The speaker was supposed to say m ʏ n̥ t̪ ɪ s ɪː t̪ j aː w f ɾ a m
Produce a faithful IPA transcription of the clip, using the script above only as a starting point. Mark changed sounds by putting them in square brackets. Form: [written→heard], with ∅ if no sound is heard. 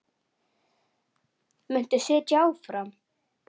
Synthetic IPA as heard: m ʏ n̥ t̪ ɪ s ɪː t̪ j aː w f ɾ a m